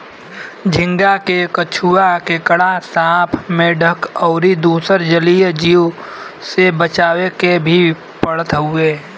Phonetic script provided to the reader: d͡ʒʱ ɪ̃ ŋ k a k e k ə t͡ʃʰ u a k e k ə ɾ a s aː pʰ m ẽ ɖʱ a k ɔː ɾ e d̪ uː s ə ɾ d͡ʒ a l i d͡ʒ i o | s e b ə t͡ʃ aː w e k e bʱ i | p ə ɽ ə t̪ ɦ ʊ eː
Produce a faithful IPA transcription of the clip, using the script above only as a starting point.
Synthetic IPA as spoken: d͡ʒʱ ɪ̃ ŋ ɡ a k e k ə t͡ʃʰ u a k e k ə ɽ a s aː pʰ m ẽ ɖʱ ə k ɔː ɾ i d̪ uː s ə ɾ d͡ʒ ə l i d͡ʒ i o | s e b ə t͡ʃ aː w e k e bʱ i | p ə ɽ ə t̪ ɦ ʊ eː